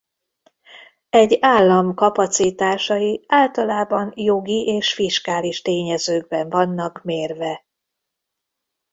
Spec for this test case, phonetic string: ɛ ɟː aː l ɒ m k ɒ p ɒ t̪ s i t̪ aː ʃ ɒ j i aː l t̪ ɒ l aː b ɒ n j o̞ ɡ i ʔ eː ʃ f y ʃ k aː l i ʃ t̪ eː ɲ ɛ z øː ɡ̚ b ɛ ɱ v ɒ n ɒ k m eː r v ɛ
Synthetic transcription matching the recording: ɛ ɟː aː lː ɒ m k ɒ p ɒ t̪ s i t̪ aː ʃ ɒ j i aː l t̪ ɒ l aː b ɒ n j o̞ ɡ i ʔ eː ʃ f i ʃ k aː l i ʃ t̪ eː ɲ ɛ z øː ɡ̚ b ɛ ɱ v ɒ nː ɒ k m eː r v ɛ